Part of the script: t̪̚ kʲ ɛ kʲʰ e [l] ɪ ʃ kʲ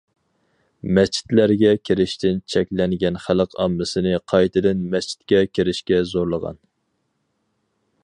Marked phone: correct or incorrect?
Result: incorrect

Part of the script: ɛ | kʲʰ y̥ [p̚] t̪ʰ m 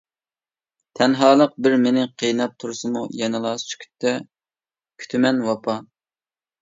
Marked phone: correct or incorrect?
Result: incorrect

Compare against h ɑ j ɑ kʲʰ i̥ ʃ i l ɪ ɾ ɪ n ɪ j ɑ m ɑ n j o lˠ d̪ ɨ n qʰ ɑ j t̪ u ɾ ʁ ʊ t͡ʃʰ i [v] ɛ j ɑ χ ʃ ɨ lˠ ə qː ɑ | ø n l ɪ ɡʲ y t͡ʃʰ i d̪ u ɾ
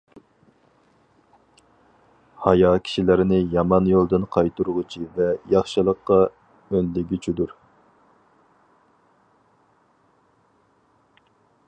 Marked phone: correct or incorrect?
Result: correct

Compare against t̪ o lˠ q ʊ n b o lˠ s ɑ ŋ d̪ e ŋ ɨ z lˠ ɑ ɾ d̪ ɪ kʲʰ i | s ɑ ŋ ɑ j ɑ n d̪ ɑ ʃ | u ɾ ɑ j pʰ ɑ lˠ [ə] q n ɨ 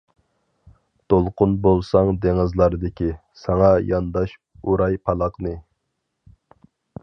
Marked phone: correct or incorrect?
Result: incorrect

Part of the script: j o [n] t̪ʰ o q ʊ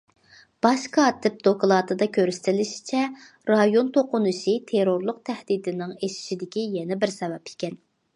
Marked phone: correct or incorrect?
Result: correct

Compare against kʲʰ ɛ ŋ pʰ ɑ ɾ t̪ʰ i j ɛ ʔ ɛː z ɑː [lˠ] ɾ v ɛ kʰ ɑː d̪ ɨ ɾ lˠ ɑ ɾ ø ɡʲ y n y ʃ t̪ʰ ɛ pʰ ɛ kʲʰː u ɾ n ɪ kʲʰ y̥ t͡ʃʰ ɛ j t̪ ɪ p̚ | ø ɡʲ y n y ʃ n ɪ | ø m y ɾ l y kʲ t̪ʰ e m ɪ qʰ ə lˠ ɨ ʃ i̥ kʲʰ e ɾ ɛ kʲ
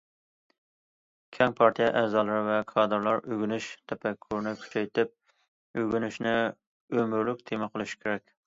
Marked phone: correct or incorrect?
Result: correct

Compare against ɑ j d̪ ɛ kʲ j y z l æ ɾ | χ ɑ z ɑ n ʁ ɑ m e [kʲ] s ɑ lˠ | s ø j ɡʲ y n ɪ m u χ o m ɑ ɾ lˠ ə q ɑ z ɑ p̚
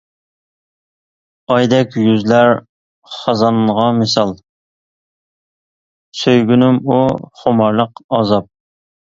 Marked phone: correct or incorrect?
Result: incorrect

